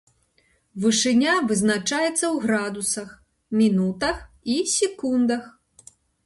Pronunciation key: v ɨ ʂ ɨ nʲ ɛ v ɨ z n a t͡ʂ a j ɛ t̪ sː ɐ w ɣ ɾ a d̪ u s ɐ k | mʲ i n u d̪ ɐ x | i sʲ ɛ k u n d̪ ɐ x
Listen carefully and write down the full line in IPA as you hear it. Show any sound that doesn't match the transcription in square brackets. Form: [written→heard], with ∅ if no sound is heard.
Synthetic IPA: v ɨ ʂ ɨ nʲ [ɛ→a] v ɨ z n a t͡ʂ a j ɛ t̪ sː ɐ w ɣ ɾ a d̪ u s ɐ [k→x] | mʲ i n u [d̪→t̪] ɐ x | i sʲ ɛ k u n d̪ ɐ x